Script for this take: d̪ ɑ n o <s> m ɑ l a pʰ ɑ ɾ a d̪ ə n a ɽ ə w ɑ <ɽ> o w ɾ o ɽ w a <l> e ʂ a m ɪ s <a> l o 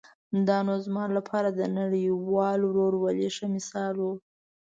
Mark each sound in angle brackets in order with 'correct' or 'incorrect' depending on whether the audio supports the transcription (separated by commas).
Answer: incorrect, incorrect, correct, incorrect